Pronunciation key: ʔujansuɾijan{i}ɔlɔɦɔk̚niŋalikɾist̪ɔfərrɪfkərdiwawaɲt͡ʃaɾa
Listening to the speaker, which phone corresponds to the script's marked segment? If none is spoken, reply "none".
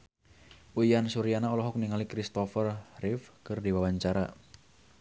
a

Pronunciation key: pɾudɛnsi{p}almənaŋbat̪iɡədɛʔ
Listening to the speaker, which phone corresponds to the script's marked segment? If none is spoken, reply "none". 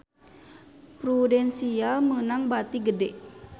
none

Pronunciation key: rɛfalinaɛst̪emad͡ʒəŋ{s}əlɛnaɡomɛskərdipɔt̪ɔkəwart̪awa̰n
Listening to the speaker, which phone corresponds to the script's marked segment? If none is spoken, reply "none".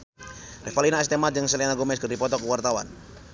s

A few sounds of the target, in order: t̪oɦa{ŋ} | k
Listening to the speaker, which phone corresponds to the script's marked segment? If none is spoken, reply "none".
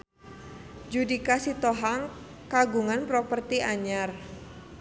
ŋ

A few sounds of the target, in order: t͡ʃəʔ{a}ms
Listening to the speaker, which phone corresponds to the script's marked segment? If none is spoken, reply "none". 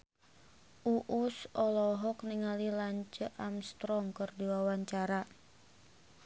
a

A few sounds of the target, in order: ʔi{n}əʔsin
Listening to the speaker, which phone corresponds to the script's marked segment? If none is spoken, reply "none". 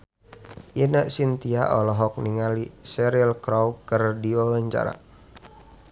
n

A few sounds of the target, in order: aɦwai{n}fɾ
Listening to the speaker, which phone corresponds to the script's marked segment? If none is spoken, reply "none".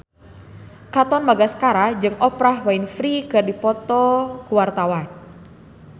n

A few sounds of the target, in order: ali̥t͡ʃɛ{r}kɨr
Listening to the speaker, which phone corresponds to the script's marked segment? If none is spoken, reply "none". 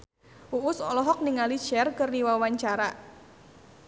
r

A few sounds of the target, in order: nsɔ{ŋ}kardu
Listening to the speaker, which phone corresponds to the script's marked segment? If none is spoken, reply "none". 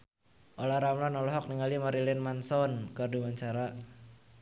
n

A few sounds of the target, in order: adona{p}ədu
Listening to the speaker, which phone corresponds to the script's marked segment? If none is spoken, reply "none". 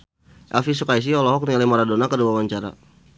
k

